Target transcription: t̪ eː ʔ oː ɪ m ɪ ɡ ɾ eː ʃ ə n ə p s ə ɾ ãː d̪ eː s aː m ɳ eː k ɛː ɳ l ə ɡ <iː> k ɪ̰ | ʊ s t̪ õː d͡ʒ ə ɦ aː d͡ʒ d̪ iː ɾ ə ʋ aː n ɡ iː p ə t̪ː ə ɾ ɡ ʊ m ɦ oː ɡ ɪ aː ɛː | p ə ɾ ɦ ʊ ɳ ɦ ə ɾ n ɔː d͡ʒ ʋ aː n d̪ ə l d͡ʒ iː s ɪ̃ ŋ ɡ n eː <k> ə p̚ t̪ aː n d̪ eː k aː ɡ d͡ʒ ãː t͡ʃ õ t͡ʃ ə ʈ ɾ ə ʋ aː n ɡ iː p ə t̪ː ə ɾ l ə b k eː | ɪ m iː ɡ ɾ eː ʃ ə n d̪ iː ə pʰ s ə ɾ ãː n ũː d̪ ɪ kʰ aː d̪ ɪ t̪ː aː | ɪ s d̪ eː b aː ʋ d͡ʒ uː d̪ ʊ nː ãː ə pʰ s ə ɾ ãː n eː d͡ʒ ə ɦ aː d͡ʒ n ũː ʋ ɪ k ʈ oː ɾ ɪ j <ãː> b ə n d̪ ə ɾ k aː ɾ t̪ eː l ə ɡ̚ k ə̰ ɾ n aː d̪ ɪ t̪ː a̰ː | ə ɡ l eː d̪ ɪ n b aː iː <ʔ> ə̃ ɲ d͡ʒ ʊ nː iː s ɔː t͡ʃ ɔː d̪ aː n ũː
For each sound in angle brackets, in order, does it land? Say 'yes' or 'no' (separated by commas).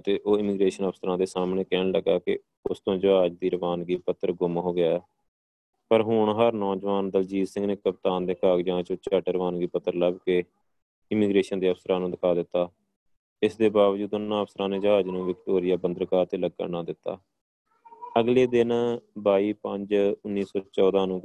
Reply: no, yes, no, no